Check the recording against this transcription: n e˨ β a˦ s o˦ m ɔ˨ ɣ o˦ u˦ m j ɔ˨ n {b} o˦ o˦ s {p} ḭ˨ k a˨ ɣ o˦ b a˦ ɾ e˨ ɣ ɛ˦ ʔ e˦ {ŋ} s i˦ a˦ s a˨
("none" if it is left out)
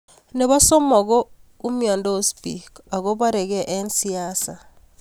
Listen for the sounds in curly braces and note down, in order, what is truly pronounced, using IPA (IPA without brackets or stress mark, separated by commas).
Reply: d, p, n